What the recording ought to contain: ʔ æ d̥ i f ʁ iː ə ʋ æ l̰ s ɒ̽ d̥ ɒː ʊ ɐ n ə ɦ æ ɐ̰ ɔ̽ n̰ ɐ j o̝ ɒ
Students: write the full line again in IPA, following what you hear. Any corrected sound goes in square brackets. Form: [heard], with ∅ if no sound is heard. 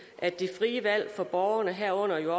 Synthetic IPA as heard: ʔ æ d̥ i f ʁ iː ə ʋ æ l̰ [f] ɒ̽ [b̥] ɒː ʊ ɐ n ə ɦ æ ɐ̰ ɔ̽ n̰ ɐ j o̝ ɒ